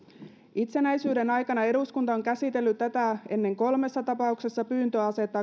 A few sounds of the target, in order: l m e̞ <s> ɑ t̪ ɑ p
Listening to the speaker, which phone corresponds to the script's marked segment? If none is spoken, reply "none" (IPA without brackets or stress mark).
sː